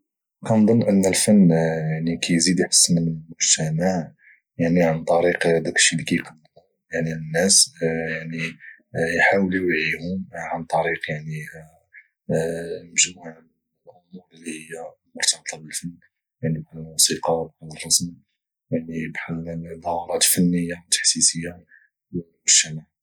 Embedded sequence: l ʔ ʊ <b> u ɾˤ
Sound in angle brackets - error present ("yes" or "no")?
yes